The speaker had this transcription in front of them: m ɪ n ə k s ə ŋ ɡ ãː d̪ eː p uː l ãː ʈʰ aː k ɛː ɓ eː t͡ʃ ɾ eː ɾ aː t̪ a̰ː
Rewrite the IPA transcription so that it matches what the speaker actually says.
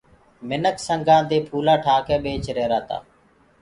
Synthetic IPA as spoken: m ɪ n ə k s ə ŋ ɡ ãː d̪ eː pʰ uː l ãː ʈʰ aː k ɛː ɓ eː t͡ʃ ɾ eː ɾ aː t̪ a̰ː